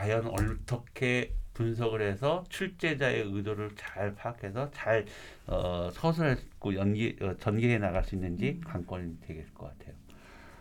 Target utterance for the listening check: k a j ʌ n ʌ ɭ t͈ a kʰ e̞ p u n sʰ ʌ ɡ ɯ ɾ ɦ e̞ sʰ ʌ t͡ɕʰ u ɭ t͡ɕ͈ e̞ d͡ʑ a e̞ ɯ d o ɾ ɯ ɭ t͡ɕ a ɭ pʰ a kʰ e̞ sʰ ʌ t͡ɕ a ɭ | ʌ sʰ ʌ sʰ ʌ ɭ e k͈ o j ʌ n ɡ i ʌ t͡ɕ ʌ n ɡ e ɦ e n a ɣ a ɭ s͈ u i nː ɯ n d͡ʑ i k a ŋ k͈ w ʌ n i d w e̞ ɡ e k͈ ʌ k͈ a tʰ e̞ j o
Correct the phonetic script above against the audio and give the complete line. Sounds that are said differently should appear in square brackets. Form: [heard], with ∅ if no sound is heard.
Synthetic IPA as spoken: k a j ʌ n ʌ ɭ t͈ [ʌ] kʰ e̞ p u n sʰ ʌ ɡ ɯ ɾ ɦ e̞ sʰ ʌ t͡ɕʰ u ɭ t͡ɕ͈ e̞ d͡ʑ a e̞ ɯ d o ɾ ɯ ɭ t͡ɕ a ɭ pʰ a kʰ e̞ sʰ ʌ t͡ɕ a ɭ | ʌ sʰ ʌ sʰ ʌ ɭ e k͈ o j ʌ n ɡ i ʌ t͡ɕ ʌ n ɡ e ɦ e n a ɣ a ɭ s͈ u i nː ɯ n d͡ʑ i k a ŋ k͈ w ʌ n i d w e̞ ɡ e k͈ ʌ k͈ a tʰ e̞ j o